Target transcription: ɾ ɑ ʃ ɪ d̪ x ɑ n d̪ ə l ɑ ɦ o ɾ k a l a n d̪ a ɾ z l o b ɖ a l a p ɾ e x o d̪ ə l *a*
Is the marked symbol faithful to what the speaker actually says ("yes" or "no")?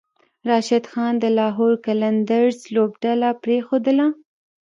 yes